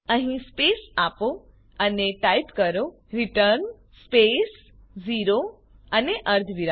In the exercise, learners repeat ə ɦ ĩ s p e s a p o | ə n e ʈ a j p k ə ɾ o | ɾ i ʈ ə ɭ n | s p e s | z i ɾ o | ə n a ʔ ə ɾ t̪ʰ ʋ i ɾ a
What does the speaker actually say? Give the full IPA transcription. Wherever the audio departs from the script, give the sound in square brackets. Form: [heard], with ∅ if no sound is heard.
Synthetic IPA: ə ɦ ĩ s p e s a p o | ə n e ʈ a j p k ə ɾ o | ɾ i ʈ ə [ɾ] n | s p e s | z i ɾ o | ə n [e] ʔ ə ɾ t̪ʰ ʋ i ɾ a